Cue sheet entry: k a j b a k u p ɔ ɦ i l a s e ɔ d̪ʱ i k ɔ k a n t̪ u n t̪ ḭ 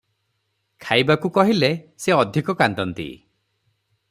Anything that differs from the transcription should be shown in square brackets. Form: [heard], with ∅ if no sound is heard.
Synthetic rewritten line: [kʰ] a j b a k u [k] ɔ ɦ i l [e] s e ɔ d̪ʱ i k ɔ k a n t̪ [ɔ] n t̪ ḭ